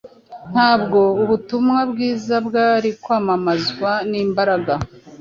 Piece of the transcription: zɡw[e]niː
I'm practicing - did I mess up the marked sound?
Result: yes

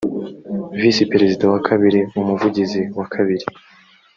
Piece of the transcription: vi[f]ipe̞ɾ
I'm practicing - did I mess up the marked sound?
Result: yes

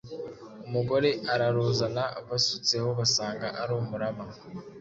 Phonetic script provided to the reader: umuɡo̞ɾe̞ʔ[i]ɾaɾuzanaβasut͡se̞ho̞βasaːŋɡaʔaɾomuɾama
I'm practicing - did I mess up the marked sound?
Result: yes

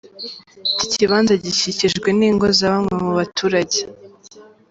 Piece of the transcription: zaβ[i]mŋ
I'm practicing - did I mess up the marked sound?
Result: yes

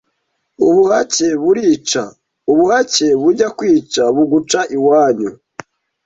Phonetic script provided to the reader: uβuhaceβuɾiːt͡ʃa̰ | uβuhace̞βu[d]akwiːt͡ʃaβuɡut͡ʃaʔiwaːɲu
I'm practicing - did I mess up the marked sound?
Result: yes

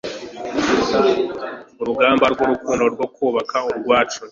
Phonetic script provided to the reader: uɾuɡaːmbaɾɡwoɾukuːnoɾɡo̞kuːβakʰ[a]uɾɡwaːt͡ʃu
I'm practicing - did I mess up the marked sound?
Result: no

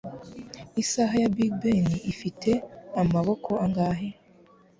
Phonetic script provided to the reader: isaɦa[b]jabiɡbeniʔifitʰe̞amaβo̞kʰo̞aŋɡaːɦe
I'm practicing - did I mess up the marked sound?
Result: yes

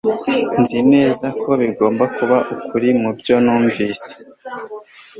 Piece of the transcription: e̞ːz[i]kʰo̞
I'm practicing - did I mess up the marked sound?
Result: yes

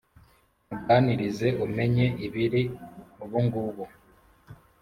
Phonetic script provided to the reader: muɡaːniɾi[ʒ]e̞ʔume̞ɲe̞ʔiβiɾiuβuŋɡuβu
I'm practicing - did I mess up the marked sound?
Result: yes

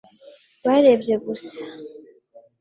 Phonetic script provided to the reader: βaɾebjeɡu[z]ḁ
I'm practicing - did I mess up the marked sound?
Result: yes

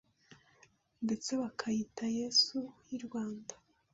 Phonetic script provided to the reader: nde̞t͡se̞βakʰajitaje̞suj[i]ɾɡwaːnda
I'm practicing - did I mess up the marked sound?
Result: no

